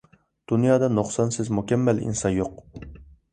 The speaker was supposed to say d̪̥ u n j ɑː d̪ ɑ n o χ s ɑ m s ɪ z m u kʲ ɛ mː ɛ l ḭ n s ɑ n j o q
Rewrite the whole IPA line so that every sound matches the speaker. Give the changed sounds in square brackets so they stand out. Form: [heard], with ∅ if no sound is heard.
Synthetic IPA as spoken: d̪̥ u n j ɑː d̪ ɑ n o χ s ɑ [n] s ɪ z m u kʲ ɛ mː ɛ l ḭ n s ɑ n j o q

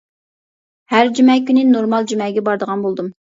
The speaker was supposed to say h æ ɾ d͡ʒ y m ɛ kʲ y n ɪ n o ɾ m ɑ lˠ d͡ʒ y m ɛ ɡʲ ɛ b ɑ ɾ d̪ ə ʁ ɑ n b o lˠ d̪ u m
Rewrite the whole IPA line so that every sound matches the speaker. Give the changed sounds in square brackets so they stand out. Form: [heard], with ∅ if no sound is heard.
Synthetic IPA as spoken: h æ ɾ d͡ʒ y m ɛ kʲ y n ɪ n o ɾ m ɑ lˠ d͡ʒ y m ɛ ɡʲ ɛ b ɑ ɾ d̪ ə ʁ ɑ n b o lˠ d̪ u m

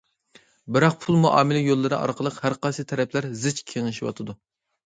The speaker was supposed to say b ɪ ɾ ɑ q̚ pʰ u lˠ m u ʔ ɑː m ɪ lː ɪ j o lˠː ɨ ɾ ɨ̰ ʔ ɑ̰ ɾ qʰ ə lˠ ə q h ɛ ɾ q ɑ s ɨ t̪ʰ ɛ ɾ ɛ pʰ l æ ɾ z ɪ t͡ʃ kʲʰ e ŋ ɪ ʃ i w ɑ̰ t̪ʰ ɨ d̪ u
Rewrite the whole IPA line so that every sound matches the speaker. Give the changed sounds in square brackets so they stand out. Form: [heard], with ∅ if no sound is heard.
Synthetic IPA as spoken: b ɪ ɾ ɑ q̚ pʰ u lˠ m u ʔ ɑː m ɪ [l] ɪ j o lˠː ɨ ɾ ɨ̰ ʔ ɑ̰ ɾ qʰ ə lˠ ə q h [æ] ɾ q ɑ s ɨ t̪ʰ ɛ ɾ ɛ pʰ l æ ɾ z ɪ t͡ʃ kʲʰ e ŋ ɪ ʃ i w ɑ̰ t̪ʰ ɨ d̪ u

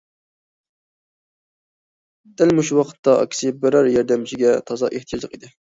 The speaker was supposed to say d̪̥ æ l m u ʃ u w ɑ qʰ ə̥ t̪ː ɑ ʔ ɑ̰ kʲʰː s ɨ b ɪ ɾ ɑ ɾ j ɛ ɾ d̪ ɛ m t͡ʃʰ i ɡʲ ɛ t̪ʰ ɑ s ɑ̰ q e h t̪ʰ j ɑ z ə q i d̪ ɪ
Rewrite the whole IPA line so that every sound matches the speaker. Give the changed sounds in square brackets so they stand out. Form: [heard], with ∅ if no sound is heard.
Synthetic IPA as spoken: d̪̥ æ l m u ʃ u w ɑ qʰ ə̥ t̪ː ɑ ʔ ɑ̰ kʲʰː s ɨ b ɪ ɾ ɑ ɾ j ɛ ɾ d̪ ɛ m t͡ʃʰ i ɡʲ ɛ t̪ʰ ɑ [z] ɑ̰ [ʔ] e h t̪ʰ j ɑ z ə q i d̪ ɪ

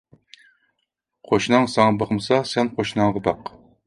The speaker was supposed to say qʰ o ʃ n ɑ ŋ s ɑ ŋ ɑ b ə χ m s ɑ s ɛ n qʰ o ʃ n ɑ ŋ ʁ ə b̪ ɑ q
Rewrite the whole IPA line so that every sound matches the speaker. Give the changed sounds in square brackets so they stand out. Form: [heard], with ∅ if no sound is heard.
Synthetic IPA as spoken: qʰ o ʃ n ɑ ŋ s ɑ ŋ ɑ b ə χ m s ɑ s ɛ n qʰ o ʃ n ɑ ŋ ʁ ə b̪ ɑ q

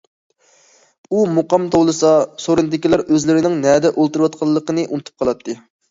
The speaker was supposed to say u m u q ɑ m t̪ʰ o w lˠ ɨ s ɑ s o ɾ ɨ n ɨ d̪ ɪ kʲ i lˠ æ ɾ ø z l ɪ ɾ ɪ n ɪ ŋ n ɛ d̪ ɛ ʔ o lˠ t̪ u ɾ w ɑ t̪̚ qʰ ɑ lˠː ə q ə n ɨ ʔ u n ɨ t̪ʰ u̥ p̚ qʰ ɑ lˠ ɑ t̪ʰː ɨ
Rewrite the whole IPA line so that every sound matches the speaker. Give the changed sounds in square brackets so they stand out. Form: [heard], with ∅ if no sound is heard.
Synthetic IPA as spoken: u m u q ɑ m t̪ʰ o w lˠ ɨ s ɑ s o ɾ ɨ n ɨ d̪ ɪ kʲ i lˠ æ ɾ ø z l ɪ ɾ ɪ n ɪ ŋ n ɛ d̪ ɛ ʔ o lˠ t̪ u ɾ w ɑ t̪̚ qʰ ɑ lˠː ə q ə n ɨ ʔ u n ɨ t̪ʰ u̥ p̚ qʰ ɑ lˠ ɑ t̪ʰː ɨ

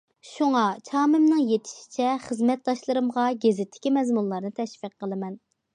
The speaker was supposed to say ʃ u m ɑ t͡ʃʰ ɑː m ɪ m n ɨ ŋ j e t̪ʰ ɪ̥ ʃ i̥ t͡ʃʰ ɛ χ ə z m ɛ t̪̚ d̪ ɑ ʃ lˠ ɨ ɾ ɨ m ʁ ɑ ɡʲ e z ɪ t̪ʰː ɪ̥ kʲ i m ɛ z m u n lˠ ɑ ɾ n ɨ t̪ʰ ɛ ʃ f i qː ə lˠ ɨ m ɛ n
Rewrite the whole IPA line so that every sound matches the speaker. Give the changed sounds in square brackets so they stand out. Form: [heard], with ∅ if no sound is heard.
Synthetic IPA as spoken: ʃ u [ŋ] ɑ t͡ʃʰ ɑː m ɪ m n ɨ ŋ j e t̪ʰ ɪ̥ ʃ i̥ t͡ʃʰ ɛ χ ə z m ɛ t̪̚ d̪ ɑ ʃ lˠ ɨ ɾ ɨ m ʁ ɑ ɡʲ e z ɪ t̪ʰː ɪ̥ kʲ i m ɛ z m u n lˠ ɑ ɾ n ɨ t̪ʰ ɛ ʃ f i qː ə lˠ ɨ m ɛ n

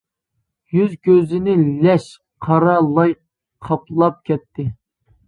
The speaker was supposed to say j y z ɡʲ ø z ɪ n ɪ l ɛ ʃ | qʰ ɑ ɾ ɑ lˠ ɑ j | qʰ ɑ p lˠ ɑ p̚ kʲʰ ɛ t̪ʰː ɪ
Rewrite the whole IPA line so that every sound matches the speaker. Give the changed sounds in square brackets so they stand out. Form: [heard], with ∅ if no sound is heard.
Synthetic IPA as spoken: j y z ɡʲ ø z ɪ n ɪ l ɛ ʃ | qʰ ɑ ɾ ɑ lˠ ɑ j | qʰ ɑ p lˠ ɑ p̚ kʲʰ ɛ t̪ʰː ɪ

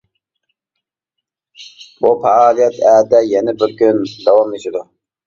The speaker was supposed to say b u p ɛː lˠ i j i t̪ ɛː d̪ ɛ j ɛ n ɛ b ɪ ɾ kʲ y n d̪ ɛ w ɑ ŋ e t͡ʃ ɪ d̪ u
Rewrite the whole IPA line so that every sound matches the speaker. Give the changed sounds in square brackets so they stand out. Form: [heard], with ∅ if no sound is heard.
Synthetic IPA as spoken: b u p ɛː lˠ i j [ɛ] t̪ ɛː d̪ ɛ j ɛ n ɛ b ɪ ɾ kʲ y n d̪ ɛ w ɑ [m] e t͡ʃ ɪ d̪ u

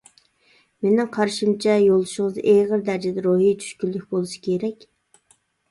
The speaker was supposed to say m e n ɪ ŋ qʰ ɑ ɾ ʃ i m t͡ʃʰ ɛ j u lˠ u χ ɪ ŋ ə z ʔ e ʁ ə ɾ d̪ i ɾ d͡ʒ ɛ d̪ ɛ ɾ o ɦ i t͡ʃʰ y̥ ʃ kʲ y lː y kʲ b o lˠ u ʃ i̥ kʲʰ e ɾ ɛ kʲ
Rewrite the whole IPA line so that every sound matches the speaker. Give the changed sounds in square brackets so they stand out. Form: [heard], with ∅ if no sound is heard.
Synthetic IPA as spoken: m e n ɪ ŋ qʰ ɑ ɾ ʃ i m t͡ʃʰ ɛ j [o] lˠ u [ʃ] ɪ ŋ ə z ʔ e ʁ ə ɾ d̪ [æ] ɾ d͡ʒ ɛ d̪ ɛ ɾ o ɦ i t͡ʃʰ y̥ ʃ kʲ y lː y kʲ b o lˠ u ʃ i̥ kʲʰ e ɾ ɛ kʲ

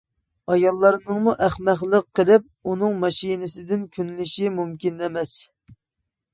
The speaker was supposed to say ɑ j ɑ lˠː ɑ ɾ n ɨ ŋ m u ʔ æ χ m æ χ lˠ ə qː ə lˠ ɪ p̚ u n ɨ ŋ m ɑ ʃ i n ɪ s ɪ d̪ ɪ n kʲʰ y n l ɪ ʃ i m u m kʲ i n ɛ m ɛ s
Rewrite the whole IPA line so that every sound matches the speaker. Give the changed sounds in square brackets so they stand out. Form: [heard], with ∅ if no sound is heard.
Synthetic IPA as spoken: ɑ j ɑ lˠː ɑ ɾ n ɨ ŋ m u ʔ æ χ m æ χ lˠ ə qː ə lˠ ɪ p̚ u n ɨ ŋ m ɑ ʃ i n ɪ s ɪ d̪ ɪ n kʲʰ y n l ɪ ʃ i m u m kʲ i n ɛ m ɛ s

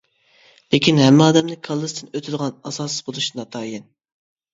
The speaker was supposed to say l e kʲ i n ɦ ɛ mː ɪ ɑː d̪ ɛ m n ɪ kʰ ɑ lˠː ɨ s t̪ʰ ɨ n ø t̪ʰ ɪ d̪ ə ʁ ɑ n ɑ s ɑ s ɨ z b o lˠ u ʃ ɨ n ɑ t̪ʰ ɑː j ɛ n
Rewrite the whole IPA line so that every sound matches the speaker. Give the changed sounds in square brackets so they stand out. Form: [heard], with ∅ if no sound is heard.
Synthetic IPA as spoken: l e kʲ i n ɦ ɛ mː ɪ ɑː d̪ ɛ m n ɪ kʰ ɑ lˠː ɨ s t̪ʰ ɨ n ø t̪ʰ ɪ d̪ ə ʁ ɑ n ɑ s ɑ s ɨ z b o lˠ u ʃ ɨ n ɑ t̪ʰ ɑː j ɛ n

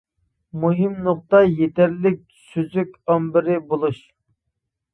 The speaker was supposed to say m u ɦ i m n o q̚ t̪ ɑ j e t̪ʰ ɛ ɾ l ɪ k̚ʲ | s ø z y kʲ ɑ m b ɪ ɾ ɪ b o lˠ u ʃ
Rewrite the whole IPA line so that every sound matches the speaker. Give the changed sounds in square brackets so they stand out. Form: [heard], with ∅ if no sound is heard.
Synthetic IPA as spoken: m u ɦ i m n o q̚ t̪ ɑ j e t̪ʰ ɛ ɾ l ɪ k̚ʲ | s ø z y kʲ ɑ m b ɪ ɾ ɪ b o lˠ u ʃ

